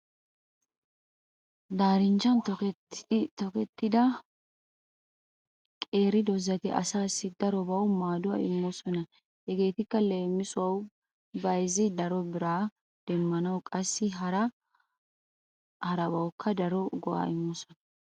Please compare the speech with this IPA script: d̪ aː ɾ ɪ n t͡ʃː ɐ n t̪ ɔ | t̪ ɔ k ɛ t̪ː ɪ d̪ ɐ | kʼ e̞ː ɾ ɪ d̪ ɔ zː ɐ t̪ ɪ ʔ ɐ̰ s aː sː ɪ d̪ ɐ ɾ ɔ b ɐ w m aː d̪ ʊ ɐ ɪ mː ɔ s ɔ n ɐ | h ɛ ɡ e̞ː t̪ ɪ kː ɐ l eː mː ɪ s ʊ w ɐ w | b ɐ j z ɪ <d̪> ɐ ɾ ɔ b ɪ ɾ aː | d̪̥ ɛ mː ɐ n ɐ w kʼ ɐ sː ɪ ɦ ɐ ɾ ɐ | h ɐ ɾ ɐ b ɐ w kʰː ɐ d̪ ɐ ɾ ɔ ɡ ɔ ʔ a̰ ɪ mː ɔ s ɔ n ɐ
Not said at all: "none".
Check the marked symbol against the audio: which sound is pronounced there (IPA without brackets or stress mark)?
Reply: d̪